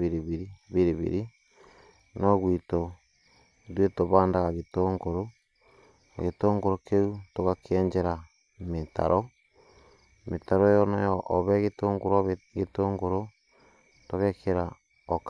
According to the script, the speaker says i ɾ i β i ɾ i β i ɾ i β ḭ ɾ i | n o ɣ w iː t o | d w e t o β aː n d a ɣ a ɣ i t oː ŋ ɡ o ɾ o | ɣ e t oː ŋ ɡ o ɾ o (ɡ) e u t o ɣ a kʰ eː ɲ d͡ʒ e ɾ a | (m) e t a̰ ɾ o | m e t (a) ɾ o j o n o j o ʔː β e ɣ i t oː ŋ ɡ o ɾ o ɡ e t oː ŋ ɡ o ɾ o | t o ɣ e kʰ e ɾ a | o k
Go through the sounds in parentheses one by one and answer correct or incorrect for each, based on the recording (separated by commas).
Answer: incorrect, correct, correct